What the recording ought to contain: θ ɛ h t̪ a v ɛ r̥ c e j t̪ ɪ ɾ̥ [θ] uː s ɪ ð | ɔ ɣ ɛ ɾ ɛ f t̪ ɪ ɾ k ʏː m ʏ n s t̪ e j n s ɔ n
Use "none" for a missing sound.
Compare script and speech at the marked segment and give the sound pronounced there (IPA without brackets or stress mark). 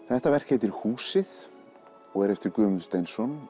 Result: h